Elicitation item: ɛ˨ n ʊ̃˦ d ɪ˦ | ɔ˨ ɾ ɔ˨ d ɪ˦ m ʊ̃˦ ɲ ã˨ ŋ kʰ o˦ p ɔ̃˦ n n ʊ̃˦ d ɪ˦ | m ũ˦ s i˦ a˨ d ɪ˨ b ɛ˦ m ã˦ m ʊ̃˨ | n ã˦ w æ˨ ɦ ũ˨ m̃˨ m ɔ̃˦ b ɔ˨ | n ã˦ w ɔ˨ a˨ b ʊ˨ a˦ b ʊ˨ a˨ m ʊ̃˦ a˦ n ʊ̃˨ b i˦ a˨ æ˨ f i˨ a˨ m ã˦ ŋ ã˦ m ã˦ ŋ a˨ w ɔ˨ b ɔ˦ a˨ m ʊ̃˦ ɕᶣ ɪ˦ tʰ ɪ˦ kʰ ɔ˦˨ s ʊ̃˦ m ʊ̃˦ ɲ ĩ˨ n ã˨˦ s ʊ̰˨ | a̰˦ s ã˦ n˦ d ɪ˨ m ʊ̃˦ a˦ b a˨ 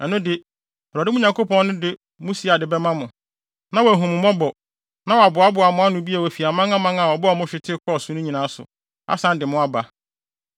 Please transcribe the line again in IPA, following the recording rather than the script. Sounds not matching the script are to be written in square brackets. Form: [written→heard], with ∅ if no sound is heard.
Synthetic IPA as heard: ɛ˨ n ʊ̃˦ d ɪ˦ | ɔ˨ ɾ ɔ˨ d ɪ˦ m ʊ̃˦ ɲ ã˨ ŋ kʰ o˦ p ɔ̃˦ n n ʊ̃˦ d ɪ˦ | m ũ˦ s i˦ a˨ d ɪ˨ b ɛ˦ m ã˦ m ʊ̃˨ | n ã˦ w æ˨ ɦ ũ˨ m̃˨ m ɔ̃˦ b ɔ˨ | n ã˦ w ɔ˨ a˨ b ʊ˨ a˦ b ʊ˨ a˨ m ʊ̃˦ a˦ n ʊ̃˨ b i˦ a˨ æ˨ f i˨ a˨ m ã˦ ŋ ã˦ m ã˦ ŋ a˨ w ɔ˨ b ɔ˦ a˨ m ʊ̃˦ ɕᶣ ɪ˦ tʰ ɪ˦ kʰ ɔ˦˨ s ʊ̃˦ [m→n] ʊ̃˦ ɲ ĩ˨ n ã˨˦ s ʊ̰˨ | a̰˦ s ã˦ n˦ d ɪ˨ m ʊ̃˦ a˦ b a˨